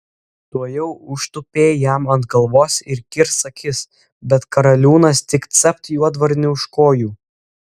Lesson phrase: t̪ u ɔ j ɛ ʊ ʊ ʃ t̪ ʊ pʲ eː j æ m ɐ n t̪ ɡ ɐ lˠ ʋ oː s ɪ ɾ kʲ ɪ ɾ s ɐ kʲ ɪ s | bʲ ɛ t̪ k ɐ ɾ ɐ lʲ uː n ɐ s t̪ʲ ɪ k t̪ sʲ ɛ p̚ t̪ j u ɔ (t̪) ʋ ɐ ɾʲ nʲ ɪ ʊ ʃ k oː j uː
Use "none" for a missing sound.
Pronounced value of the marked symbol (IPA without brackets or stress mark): d̪